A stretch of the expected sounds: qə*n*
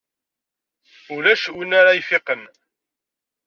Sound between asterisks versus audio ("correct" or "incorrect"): correct